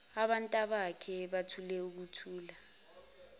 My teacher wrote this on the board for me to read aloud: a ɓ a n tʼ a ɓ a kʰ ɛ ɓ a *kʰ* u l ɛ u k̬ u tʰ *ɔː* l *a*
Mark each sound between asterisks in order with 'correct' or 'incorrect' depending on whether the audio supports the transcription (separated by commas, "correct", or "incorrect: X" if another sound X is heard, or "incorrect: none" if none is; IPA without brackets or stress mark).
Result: incorrect: tʰ, incorrect: uː, correct